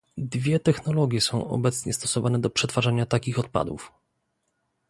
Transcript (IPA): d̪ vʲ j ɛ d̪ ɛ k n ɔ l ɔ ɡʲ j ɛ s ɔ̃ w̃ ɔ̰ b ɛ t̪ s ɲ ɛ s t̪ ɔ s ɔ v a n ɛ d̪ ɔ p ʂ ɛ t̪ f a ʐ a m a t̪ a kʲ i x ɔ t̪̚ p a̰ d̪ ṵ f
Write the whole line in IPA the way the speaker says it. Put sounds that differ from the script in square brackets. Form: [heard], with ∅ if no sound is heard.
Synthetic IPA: d̪ vʲ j ɛ [t̪] ɛ [x] n ɔ l ɔ ɡʲ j ɛ s ɔ̃ w̃ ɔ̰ b ɛ t̪ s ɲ ɛ s t̪ ɔ s ɔ v a n ɛ d̪ ɔ p ʂ ɛ t̪ f a ʐ a [ɲ] a t̪ a kʲ i x ɔ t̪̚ p a̰ d̪ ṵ f